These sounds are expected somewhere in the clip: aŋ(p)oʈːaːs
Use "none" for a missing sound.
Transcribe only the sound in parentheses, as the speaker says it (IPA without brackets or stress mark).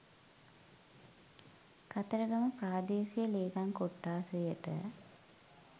k